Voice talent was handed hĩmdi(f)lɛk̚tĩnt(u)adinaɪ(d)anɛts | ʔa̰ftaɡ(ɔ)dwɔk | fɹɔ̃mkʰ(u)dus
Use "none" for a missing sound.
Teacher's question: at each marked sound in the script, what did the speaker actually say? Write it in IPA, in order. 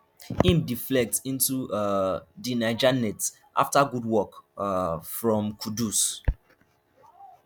f, u, d͡ʒ, u, u

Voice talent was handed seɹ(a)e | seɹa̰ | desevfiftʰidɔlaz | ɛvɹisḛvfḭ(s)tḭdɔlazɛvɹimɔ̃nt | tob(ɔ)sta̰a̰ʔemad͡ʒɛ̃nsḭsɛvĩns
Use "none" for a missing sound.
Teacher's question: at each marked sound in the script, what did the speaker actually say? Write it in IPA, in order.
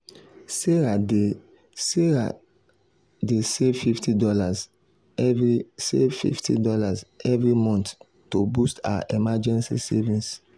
a, f, u

